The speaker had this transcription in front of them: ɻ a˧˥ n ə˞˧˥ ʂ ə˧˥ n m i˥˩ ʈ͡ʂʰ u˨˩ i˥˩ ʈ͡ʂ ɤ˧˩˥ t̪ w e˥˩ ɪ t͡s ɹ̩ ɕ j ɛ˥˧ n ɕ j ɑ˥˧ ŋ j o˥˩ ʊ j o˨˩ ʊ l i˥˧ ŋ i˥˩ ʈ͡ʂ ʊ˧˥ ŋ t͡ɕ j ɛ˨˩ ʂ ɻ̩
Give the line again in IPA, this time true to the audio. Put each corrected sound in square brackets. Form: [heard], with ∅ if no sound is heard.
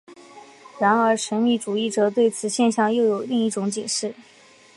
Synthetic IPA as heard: ɻ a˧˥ n ə˞˧˥ ʂ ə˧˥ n m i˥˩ [ʈ͡ʂ] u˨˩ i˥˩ ʈ͡ʂ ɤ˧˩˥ t̪ w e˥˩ ɪ [t͡sʰ] ɹ̩ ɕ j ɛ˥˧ n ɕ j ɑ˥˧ ŋ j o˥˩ ʊ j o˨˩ ʊ l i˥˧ ŋ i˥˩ ʈ͡ʂ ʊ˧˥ ŋ t͡ɕ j ɛ˨˩ ʂ ɻ̩